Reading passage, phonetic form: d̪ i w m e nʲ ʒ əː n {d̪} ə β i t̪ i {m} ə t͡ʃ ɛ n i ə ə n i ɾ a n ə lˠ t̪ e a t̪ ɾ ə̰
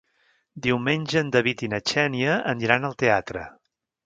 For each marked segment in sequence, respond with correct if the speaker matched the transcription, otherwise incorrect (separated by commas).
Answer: correct, incorrect